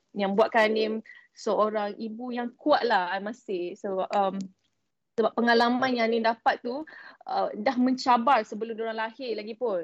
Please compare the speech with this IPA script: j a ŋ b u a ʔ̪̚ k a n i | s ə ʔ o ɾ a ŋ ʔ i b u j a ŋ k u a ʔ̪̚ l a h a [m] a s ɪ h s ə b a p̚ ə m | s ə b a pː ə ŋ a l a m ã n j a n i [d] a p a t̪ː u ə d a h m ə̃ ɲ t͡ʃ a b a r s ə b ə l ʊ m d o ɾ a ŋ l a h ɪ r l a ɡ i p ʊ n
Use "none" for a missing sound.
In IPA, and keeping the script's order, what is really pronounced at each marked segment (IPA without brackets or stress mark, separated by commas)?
m, d